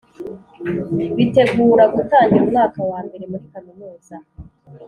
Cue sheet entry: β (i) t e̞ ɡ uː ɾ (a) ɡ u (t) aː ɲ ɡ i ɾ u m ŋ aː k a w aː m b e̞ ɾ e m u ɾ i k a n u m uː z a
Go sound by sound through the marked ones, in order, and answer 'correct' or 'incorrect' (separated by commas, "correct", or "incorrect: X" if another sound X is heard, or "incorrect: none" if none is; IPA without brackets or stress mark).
correct, correct, correct